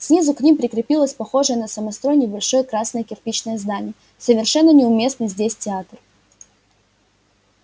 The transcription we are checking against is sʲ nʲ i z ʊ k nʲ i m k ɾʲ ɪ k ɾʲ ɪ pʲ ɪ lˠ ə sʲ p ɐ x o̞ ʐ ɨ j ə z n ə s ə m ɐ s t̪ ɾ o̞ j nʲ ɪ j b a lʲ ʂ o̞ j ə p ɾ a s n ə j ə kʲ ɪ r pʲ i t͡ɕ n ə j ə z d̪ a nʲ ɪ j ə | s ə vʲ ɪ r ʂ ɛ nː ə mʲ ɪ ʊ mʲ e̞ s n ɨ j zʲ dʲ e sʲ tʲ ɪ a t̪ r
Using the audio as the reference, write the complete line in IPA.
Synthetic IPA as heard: sʲ nʲ i z ʊ k nʲ i m p ɾʲ ɪ k ɾʲ ɪ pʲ i lˠ ə sʲ p ɐ x o̞ ʐ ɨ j ə n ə s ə m ɐ s t̪ ɾ o̞ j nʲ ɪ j b ɐ lʲ ʂ o̞ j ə k ɾ a s n ə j ə kʲ ɪ r pʲ i t͡ɕ n ə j ə z d̪ a nʲ ɪ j ə | s ə vʲ ɪ r ʂ ɛ nː ə nʲ ɪ ʊ mʲ e̞ s n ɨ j zʲ dʲ e sʲ tʲ ɪ a t̪ r

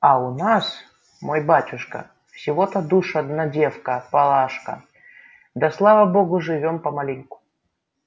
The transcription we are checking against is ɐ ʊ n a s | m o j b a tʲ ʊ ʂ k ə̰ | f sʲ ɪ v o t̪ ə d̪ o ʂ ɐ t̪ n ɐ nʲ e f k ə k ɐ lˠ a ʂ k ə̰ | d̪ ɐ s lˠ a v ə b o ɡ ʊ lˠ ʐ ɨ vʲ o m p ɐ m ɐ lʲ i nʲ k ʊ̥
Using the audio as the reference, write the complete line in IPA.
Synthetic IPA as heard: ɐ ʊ n a s | m o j b a tʲ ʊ ʂ k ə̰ | f sʲ ɪ v o t̪ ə d̪ u ʂ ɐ d̪ n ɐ dʲ e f k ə p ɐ lˠ a ʂ k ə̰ | d̪ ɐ s lˠ a v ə b o ɡ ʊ ʐ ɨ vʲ o m p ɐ m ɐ lʲ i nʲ k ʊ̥

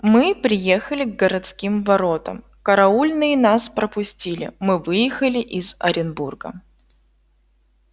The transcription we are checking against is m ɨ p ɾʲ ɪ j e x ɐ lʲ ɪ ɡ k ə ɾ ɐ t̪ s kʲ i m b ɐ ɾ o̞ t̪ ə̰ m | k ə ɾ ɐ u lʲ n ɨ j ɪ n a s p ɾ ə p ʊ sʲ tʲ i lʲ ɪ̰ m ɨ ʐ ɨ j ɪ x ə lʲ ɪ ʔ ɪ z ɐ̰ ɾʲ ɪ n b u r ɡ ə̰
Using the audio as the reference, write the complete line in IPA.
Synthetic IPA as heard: m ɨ p ɾʲ ɪ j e x ə lʲ ɪ ɡ ɡ ə ɾ ɐ t̪ s kʲ i m v ɐ ɾ o̞ t̪ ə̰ m | k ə ɾ ɐ u lʲ n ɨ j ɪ n a s p ɾ ə p ʊ sʲ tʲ i lʲ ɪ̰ m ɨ v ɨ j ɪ x ə lʲ ɪ ʔ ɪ z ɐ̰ ɾʲ ɪ n b u r ɡ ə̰

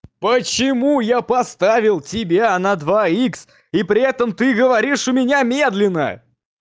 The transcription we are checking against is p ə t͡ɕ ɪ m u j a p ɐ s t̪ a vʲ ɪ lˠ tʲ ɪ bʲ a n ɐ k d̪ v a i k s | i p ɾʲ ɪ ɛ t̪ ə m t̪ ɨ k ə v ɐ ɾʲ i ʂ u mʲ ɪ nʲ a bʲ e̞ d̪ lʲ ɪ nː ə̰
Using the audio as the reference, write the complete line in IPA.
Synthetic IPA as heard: p ə t͡ɕ ɪ m u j a p ɐ s t̪ a vʲ ɪ lˠ tʲ ɪ bʲ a n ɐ d̪ v a i k s | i p ɾʲ ɪ ɛ t̪ ə m t̪ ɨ ɡ ə v ɐ ɾʲ i ʂ ʊ mʲ ɪ nʲ a mʲ e̞ d̪ lʲ ɪ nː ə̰

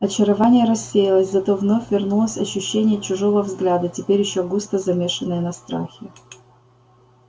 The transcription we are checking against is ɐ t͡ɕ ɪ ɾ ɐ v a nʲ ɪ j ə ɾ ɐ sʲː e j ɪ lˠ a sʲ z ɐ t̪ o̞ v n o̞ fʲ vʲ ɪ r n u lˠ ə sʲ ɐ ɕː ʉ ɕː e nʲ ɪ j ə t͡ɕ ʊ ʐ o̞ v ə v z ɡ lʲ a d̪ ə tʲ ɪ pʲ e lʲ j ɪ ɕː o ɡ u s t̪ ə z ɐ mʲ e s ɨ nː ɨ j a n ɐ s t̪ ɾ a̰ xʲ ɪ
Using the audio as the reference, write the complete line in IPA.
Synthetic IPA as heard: ɐ t͡ɕ ɪ ɾ ɐ v a nʲ ɪ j ə ɾ ɐ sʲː e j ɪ lˠ ə sʲ z ɐ t̪ o̞ v n o̞ fʲ vʲ ɪ r n u lˠ ə sʲ ɐ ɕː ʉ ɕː e nʲ ɪ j ə t͡ɕ ʊ ʐ o̞ v ə v z ɡ lʲ a d̪ ə tʲ ɪ pʲ e ɾʲ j ɪ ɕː o ɡ u s t̪ ə z ɐ mʲ e ʂ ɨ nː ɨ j ə n ɐ s t̪ ɾ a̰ xʲ ɪ

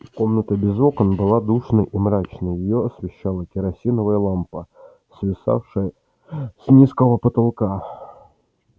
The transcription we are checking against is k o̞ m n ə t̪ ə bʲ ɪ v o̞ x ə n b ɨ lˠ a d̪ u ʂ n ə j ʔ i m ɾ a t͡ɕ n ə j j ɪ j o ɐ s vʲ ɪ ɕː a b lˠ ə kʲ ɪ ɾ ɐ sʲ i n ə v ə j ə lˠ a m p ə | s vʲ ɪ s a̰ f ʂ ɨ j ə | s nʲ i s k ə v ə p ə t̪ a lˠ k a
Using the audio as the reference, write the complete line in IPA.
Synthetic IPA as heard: k o̞ m n ə t̪ ə bʲ ɪ z o̞ k ə n b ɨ lˠ a d̪ u ʂ n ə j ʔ i m ɾ a t͡ɕ n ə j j ɪ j o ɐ s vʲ ɪ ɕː a lˠ ə kʲ ɪ ɾ ɐ sʲ i n ə v ə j ə lˠ a m p ə | s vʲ ɪ s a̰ f ʂ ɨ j ə | s nʲ i s k ə v ə p ə t̪ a lˠ k a

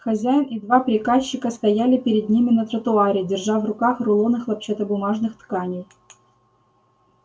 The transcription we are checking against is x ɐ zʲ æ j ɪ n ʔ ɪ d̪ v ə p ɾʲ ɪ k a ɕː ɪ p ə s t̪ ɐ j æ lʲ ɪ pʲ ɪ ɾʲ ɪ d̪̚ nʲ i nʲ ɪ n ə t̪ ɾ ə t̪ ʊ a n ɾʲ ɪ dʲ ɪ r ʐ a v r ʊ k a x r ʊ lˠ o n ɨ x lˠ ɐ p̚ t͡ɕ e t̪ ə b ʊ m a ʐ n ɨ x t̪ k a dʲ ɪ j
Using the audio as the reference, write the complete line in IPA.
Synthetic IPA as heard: x ɐ zʲ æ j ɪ n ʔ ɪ d̪ v a p ɾʲ ɪ k a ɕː ɪ k ə s t̪ ɐ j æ lʲ ɪ pʲ ɪ ɾʲ ɪ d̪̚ nʲ i mʲ ɪ n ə t̪ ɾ ə t̪ ʊ a ɾʲ ɪ dʲ ɪ r ʐ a v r ʊ k a x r ʊ lˠ o n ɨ x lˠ ɐ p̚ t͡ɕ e t̪ ə b ʊ m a ʐ n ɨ x t̪ k a nʲ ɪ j

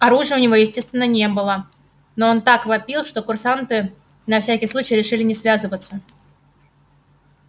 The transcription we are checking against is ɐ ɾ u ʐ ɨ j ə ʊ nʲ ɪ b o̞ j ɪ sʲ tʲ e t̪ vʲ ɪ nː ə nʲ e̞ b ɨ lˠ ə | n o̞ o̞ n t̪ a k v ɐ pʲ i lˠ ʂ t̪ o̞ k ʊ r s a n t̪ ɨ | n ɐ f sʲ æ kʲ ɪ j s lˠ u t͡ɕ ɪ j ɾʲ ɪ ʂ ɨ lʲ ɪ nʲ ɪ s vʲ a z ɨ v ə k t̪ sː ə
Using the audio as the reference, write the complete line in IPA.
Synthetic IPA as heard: ɐ ɾ u ʐ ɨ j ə ʊ nʲ ɪ v o̞ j ɪ sʲ tʲ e t̪ vʲ ɪ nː ə nʲ e̞ b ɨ lˠ ə | n o̞ o̞ n t̪ a k v ɐ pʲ i lˠ ʂ t̪ o̞ k ʊ r s a n t̪ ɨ | n ɐ f sʲ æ kʲ ɪ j s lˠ u t͡ɕ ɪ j ɾʲ ɪ ʂ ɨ lʲ ɪ nʲ ɪ s vʲ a z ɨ v ə t̪ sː ə

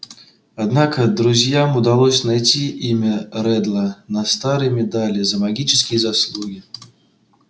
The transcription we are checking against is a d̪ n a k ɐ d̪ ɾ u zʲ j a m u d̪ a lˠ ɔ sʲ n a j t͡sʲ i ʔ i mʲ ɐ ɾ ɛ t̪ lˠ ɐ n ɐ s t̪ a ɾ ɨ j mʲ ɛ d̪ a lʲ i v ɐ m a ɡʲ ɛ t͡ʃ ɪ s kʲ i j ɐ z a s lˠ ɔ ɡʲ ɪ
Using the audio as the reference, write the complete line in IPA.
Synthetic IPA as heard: a d̪ n a k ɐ d̪ ɾ u zʲ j a m u d̪ a lˠ ɔ sʲ n a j t͡sʲ i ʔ i mʲ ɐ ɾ ɛ d̪ lˠ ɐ n ɐ s t̪ a ɾ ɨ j mʲ ɛ d̪ a lʲ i z ɐ m a ɡʲ i t͡ʃ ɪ s kʲ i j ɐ z a s lˠ u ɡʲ i

